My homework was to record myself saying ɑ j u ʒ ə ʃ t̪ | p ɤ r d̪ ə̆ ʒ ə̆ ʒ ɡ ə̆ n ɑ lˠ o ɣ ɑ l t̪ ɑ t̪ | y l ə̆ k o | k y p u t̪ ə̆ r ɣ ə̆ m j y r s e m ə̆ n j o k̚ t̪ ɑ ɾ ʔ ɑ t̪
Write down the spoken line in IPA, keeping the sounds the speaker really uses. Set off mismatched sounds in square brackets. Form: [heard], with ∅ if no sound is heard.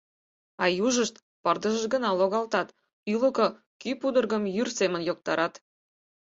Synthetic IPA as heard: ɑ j u ʒ ə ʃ t̪ | p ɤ r d̪ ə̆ ʒ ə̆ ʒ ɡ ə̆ n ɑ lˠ o ɣ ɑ l t̪ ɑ t̪ | y l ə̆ k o | k y p u [d̪] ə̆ r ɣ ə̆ m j y r s e m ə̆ n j o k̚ t̪ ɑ ɾ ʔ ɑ t̪